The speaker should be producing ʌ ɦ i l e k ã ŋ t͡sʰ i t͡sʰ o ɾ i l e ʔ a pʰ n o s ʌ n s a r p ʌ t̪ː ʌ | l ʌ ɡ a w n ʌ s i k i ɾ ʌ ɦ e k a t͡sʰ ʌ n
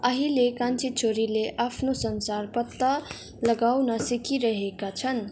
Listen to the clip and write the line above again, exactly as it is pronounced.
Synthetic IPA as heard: ʌ ɦ i l e k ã n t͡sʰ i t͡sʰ o ɾ i l e ʔ a pʰ n o s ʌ n s a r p ʌ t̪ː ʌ | l ʌ ɡ a w n ʌ s i k i ɾ ʌ ɦ e k a t͡sʰ ʌ n